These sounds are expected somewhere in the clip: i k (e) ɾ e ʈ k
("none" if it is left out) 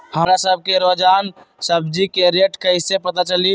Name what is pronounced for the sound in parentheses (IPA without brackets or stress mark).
e